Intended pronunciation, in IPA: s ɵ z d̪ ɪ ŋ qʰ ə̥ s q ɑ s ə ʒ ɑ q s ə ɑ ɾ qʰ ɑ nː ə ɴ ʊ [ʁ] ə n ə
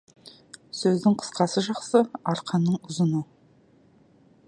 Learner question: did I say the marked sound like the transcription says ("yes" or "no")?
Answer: no